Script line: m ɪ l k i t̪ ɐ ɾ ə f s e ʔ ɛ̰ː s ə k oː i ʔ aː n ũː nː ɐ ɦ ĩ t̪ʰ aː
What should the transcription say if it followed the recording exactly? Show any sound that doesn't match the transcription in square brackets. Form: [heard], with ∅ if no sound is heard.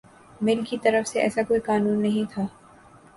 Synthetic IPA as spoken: m ɪ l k i t̪ ɐ ɾ ə f s e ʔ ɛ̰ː s [a] k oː i [k] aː n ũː nː ɐ ɦ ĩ t̪ʰ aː